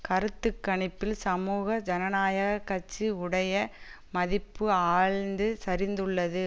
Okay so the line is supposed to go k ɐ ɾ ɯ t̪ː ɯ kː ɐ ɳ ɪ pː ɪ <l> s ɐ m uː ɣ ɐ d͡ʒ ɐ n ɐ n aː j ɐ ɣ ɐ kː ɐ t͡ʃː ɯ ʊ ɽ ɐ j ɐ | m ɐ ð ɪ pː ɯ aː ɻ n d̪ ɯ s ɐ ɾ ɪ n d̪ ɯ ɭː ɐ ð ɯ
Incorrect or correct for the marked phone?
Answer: correct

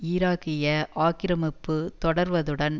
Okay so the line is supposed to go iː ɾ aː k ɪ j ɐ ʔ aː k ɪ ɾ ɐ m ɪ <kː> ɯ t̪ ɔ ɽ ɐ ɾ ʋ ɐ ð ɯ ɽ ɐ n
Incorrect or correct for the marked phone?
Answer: incorrect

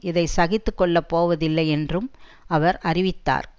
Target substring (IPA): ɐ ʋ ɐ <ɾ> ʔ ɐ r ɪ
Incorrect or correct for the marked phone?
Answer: correct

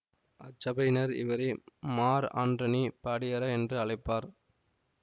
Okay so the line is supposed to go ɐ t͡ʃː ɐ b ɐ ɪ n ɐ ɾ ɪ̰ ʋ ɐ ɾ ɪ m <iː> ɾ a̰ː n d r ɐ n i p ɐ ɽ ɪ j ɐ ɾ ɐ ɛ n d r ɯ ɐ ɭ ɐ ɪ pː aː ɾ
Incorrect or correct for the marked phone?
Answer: incorrect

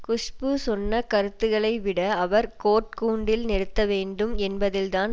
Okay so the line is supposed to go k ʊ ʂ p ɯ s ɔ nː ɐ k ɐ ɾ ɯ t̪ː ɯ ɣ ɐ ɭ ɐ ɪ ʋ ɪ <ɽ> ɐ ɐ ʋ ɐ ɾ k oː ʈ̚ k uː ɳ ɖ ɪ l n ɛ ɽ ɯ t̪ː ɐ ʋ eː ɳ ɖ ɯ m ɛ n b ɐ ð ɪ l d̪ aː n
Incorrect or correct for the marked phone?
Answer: correct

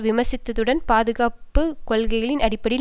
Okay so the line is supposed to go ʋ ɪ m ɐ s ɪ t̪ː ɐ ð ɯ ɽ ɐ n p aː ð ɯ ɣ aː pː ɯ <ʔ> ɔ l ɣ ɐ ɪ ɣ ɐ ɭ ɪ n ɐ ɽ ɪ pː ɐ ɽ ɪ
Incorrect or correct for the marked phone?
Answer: incorrect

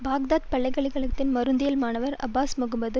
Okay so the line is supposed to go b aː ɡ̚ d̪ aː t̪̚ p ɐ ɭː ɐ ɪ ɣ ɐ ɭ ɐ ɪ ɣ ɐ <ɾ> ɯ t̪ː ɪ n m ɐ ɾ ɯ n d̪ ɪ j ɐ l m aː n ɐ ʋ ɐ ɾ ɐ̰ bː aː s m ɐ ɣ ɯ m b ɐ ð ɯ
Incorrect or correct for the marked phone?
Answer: incorrect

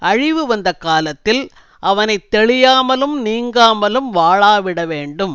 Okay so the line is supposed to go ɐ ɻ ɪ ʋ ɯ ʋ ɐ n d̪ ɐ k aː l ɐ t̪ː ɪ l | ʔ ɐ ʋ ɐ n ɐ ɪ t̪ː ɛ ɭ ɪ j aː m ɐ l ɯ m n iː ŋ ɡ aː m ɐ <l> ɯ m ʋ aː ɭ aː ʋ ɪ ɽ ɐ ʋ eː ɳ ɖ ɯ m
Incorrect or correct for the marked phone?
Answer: correct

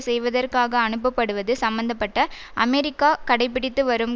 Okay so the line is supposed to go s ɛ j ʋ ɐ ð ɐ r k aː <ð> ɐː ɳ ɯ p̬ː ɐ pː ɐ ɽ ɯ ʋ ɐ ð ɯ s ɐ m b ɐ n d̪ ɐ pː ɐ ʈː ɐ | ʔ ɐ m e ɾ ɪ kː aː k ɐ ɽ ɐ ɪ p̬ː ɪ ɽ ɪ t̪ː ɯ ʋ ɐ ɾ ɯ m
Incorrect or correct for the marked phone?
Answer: incorrect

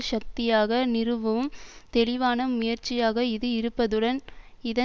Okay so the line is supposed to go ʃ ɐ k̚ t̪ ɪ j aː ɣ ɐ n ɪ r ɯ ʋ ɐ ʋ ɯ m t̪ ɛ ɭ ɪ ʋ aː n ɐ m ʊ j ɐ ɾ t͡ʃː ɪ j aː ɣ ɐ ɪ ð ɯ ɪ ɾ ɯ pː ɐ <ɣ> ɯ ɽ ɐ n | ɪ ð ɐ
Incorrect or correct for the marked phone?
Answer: incorrect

